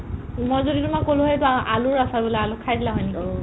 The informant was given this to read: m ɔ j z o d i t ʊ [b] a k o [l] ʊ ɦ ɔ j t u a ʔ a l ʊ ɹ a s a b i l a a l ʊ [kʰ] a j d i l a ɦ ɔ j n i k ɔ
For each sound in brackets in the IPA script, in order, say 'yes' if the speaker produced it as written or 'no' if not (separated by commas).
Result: no, yes, yes